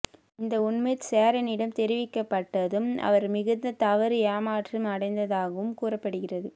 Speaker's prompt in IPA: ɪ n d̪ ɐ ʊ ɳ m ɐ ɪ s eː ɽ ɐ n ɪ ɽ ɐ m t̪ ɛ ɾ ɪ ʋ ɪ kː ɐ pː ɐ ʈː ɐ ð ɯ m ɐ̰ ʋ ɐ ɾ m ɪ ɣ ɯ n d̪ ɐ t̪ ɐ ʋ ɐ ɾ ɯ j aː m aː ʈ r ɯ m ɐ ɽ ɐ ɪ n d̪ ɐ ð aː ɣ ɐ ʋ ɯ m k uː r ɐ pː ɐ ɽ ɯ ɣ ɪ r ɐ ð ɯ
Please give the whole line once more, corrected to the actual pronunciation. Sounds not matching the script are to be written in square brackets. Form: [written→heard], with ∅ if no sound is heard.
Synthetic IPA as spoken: ɪ n d̪ ɐ ʊ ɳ m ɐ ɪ s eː [ɽ→ɾ] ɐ n ɪ ɽ ɐ m t̪ ɛ ɾ ɪ ʋ ɪ kː ɐ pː ɐ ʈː ɐ ð ɯ m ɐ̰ ʋ ɐ ɾ m ɪ ɣ ɯ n d̪ ɐ t̪ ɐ ʋ ɐ ɾ ɯ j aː m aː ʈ r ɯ m ɐ ɽ ɐ ɪ n d̪ ɐ ð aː ɣ ɐ ʋ ɯ m k uː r ɐ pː ɐ ɽ ɯ ɣ ɪ r ɐ ð ɯ